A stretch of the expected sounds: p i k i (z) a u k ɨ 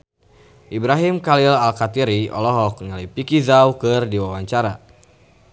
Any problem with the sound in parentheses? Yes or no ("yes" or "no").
no